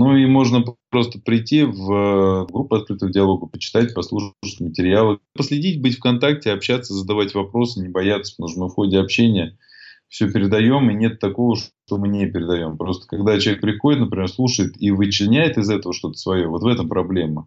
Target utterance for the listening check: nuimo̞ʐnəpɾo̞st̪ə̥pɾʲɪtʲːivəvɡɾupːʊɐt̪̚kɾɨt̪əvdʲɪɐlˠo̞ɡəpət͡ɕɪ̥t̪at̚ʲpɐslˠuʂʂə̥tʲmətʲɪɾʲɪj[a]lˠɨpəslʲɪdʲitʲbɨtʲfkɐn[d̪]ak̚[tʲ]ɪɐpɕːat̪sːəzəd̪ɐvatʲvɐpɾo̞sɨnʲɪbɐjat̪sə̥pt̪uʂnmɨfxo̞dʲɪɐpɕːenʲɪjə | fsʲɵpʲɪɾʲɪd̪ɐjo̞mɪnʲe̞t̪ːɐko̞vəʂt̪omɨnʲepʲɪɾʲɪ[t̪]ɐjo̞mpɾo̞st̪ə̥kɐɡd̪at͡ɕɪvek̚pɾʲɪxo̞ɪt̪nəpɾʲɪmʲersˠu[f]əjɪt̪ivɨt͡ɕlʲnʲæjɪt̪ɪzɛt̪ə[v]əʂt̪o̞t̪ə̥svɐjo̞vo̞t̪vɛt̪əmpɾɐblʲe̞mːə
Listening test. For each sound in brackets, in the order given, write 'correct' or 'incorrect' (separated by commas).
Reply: correct, incorrect, correct, incorrect, incorrect, correct